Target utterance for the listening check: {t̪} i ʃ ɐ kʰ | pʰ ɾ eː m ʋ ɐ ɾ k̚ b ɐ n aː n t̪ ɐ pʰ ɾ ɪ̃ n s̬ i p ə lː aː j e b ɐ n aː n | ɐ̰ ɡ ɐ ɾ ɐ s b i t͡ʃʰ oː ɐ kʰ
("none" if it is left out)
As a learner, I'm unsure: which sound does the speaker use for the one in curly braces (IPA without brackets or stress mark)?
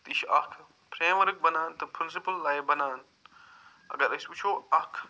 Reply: t̪